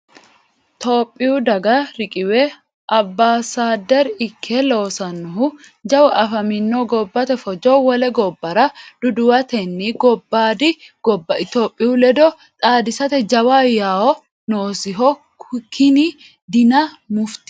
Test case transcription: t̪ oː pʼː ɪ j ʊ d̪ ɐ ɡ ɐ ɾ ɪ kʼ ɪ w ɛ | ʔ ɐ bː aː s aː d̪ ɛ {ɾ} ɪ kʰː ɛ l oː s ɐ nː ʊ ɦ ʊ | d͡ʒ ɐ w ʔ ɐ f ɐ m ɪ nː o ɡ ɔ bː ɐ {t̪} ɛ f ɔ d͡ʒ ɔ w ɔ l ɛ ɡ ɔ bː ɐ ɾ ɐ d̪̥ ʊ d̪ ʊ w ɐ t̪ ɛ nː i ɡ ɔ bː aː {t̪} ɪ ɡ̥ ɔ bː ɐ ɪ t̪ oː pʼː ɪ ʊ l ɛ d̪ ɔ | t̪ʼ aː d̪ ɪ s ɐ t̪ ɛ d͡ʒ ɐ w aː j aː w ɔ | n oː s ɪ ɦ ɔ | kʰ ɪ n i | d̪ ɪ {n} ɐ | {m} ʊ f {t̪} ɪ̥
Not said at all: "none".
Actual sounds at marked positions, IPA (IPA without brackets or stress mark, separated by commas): ɾ, t̪, d̪, n, m, t̪